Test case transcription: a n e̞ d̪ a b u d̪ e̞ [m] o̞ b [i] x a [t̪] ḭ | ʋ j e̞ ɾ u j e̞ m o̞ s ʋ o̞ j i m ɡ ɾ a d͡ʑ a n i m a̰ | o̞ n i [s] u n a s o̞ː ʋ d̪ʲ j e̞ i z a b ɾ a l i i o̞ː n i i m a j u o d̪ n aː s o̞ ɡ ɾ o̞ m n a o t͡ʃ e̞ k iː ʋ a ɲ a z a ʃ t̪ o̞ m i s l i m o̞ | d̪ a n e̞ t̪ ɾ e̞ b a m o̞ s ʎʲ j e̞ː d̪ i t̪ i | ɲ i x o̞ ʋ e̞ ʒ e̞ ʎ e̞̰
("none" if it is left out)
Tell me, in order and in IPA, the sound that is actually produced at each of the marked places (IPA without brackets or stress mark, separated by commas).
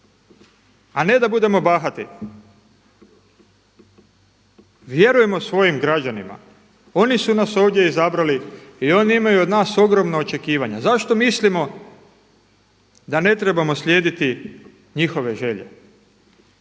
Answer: m, a, t̪, s